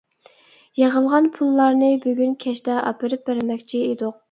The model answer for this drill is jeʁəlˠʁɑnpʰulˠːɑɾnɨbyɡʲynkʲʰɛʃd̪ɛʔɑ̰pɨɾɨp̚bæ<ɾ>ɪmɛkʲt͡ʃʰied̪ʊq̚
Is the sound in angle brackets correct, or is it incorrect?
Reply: correct